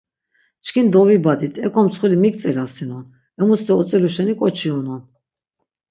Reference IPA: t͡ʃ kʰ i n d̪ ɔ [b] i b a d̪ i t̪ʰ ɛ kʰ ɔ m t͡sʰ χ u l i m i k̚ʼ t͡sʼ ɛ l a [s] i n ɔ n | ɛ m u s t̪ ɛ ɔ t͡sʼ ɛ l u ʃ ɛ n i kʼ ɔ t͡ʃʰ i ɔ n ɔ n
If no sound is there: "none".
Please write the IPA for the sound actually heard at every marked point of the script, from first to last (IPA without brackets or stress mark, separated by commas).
v, s